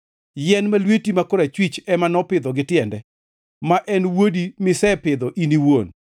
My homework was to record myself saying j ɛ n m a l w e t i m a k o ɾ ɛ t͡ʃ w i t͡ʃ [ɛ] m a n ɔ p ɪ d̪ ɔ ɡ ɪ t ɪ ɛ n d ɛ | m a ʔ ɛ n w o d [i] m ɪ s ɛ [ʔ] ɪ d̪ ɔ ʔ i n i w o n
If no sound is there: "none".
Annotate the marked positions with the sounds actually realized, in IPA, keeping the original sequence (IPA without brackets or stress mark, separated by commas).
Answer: ɛ, i, p